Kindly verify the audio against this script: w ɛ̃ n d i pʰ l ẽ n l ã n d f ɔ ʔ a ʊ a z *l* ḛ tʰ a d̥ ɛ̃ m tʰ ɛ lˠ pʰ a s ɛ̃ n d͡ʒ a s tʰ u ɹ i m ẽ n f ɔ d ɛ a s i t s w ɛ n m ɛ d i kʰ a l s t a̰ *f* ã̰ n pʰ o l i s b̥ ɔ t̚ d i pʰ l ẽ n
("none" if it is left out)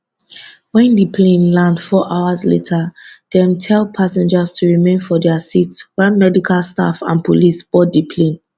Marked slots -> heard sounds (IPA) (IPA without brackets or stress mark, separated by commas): l, f